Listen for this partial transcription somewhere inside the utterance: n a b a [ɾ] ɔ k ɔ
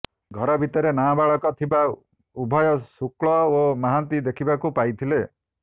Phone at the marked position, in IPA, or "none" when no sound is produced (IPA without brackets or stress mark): ɭ